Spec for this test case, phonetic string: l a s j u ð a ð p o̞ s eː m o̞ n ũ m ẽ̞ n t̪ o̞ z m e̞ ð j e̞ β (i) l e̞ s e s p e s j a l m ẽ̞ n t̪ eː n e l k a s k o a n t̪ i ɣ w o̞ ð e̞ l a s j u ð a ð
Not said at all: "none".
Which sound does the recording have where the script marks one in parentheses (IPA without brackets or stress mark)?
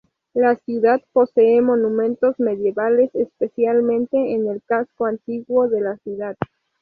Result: a